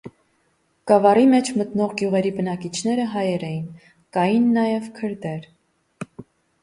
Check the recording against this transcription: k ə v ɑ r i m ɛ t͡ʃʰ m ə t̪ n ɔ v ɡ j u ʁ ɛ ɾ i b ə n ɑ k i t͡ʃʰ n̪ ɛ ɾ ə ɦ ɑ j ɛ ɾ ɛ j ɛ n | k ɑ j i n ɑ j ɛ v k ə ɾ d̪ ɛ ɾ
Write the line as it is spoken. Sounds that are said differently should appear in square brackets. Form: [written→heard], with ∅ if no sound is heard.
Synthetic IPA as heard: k [ə→ɑ] v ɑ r i m ɛ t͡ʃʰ m ə t̪ n ɔ [v→ʁ] ɡ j u ʁ ɛ ɾ i b ə n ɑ k i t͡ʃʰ n̪ ɛ ɾ ə ɦ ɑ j ɛ ɾ ɛ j [ɛ→i] n | k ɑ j i [n→nː] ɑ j ɛ v [k→kʰ] ə ɾ d̪ ɛ ɾ